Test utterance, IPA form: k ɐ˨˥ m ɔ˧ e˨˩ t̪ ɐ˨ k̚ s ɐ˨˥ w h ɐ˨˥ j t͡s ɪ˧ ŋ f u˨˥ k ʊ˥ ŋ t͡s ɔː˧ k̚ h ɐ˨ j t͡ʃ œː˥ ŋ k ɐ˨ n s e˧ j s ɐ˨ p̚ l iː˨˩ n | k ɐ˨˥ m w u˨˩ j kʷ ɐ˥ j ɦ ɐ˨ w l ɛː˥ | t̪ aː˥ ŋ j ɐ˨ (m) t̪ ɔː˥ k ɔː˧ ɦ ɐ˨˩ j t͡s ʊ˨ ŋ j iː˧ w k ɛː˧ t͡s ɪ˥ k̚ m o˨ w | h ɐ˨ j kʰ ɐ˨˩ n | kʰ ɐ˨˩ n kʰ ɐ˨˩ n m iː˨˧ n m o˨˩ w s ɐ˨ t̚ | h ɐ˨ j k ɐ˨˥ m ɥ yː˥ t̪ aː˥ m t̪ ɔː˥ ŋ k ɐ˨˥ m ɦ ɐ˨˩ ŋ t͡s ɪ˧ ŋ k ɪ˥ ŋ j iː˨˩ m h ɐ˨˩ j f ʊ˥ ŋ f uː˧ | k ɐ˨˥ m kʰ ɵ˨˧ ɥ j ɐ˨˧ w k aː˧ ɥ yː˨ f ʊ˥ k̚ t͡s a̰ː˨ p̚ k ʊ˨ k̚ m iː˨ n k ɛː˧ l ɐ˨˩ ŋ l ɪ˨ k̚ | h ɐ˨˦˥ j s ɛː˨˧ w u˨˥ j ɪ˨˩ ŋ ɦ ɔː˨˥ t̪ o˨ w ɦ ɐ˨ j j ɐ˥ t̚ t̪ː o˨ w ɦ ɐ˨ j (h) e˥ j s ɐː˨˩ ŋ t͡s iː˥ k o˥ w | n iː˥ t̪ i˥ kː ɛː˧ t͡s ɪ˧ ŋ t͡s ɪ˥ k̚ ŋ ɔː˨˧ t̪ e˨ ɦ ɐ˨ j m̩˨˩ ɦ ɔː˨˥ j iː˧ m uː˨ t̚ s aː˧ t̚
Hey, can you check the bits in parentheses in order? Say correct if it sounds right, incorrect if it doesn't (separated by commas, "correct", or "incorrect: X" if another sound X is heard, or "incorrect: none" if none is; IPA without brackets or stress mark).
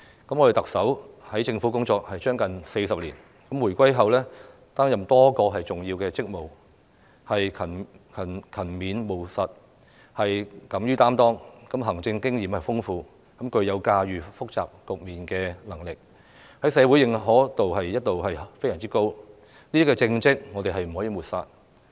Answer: correct, incorrect: f